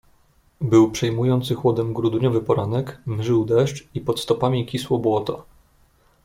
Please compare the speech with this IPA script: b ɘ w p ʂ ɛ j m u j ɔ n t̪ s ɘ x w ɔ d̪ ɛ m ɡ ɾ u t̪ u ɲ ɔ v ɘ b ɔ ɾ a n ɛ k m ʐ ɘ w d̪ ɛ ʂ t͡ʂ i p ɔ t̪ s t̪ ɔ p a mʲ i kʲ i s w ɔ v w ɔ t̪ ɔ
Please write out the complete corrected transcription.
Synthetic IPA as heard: b ɘ w p ʂ ɛ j m u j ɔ n t̪ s ɘ x w ɔ d̪ ɛ m ɡ ɾ u d̪ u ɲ ɔ v ɘ p ɔ ɾ a n ɛ k m ʐ ɘ w d̪ ɛ ʂ t͡ʂ i p ɔ t̪ s t̪ ɔ p a mʲ i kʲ i s w ɔ b w ɔ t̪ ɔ